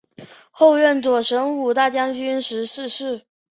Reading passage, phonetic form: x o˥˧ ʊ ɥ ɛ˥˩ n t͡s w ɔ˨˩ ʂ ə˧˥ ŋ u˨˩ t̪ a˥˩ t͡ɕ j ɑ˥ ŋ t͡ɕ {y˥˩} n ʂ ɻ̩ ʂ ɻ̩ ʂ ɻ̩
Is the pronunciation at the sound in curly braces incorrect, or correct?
incorrect